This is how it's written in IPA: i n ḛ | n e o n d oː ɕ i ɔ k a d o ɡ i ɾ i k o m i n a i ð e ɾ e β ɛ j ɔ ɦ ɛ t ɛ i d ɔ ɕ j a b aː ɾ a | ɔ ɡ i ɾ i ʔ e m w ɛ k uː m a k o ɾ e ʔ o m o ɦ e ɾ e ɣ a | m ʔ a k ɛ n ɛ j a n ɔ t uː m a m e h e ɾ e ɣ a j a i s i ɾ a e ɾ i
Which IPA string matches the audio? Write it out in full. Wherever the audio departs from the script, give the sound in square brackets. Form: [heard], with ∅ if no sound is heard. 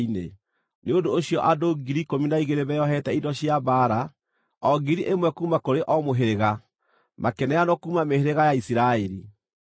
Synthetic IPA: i n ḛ | n e o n d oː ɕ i ɔ [ʔ] a d o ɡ i ɾ i k o m i n a i [ɣ] e ɾ e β ɛ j ɔ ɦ ɛ t ɛ i d ɔ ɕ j a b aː ɾ a | ɔ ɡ i ɾ i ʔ e m w ɛ k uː m a k o ɾ e ʔ [ɔ] m o ɦ e ɾ e ɣ a | m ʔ a k ɛ n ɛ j a n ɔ [k] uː m a m e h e ɾ e ɣ a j a i s i ɾ a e ɾ i